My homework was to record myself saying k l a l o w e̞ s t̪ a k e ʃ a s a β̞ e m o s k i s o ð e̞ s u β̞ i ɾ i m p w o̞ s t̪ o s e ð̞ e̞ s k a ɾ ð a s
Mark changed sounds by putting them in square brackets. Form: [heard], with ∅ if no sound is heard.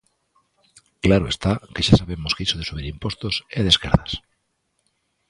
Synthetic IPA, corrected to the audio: k l a [ɾ] o [∅] e̞ s t̪ a k e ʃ a s a β̞ e m o s k i s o ð e̞ s u β̞ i ɾ i m p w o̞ s t̪ o s e ð̞ e̞ s k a ɾ ð a s